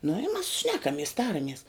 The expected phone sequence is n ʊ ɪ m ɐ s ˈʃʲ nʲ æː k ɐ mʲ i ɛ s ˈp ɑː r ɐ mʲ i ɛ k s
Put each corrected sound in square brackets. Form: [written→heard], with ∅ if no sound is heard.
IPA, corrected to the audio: n ʊ ɪ m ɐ s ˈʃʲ nʲ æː k ɐ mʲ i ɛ s [ˈp→ˈt] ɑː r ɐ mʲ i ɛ [k→∅] s